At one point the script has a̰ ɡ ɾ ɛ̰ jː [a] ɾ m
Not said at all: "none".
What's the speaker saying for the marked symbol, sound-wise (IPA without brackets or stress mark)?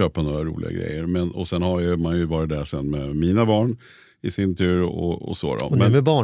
ə